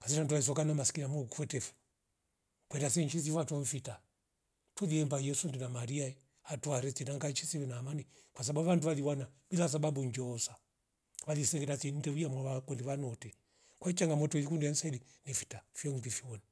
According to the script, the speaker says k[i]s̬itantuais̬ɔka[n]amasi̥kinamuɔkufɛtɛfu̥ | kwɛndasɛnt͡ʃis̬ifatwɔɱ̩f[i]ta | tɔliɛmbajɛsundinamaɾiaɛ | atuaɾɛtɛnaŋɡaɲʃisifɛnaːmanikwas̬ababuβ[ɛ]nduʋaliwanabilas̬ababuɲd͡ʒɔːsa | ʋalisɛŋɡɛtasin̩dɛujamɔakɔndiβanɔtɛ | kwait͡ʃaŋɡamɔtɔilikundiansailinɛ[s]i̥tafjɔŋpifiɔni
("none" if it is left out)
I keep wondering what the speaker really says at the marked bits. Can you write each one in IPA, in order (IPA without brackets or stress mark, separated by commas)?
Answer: a, n, i, a, f